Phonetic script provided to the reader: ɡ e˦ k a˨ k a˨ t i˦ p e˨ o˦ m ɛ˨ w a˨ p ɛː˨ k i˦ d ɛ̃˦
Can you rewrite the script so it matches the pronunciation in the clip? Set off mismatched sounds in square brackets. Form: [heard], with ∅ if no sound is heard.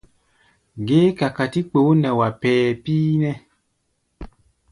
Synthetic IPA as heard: ɡ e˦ k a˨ k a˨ t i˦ [k͡p] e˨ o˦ [n] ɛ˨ w a˨ p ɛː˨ [p] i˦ [n] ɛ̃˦

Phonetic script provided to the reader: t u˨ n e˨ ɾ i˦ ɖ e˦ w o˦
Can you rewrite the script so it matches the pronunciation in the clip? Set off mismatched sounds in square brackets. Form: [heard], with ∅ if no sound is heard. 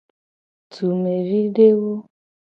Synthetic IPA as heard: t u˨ [m] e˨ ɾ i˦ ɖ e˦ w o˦

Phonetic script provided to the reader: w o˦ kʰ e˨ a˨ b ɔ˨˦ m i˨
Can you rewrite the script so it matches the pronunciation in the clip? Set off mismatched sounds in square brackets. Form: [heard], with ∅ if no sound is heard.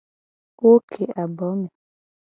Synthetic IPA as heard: w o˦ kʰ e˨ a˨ b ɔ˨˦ m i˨

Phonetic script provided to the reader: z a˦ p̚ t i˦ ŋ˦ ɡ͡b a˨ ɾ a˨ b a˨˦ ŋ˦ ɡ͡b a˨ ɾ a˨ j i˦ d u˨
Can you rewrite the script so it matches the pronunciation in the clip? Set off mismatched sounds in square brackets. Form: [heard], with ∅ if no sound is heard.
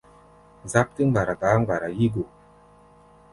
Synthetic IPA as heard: z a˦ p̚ t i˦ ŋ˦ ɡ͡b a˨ ɾ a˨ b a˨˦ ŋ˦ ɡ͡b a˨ ɾ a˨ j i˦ [ɡ] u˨

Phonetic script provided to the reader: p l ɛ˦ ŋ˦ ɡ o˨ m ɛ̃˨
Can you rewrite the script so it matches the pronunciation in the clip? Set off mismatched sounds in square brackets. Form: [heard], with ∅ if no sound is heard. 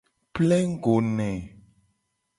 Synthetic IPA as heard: p l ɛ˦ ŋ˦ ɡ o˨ [n] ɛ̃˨

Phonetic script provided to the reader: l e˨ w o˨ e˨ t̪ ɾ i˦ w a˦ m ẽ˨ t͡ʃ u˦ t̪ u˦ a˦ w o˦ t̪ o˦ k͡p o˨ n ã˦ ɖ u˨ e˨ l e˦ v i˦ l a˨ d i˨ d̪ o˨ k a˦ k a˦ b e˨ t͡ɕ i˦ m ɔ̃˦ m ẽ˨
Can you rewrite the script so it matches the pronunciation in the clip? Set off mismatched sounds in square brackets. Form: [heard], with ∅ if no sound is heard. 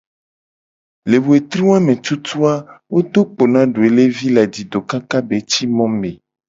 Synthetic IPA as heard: l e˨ w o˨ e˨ t̪ ɾ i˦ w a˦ m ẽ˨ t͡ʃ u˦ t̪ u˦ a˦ w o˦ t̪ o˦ k͡p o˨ n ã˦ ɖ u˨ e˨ l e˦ v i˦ l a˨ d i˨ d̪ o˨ k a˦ k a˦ b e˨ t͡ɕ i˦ m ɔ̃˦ m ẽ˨

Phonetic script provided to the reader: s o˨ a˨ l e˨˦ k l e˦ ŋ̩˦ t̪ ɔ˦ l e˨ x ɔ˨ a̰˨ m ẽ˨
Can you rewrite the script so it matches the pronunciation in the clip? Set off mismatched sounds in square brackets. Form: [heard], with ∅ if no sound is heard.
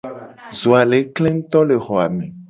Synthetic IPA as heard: [z] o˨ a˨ l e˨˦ k l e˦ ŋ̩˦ t̪ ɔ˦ l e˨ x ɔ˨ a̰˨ m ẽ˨

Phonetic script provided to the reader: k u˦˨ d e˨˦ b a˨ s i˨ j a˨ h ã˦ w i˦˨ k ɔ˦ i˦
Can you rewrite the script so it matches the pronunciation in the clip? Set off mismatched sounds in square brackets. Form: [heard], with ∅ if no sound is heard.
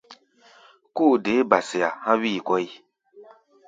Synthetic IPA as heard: k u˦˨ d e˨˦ b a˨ s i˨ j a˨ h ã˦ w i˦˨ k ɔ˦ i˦

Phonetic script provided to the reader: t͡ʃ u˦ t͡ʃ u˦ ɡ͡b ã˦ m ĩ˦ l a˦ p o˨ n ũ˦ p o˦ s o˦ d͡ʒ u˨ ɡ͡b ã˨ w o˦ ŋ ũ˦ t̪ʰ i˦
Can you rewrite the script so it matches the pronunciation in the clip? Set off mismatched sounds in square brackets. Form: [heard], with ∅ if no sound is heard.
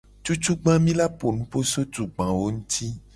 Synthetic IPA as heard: t͡ʃ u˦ t͡ʃ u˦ ɡ͡b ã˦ m ĩ˦ l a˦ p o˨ n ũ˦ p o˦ s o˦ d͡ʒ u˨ ɡ͡b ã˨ w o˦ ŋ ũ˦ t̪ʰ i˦

